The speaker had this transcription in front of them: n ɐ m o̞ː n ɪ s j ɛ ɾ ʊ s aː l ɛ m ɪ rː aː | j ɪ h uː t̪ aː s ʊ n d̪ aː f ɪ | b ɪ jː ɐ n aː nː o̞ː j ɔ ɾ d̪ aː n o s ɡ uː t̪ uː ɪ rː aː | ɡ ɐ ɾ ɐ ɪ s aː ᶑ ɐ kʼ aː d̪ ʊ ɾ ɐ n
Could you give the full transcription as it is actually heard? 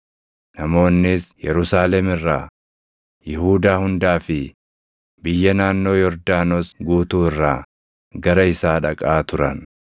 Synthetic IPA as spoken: n ɐ m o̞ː nː ɪ s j ɛ ɾ ʊ s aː l ɛ m ɪ rː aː | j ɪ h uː d̪ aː h ʊ n d̪ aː f ɪ | b ɪ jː ɐ n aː nː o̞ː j ɔ ɾ d̪ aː n o s ɡ uː t̪ uː ɪ rː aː | ɡ ɐ ɾ ɐ ɪ s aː ᶑ ɐ kʼ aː t̪ ʊ ɾ ɐ n